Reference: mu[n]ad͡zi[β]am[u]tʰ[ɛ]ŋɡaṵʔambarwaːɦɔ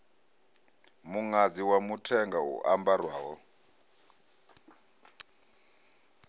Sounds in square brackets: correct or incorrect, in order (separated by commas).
incorrect, incorrect, correct, correct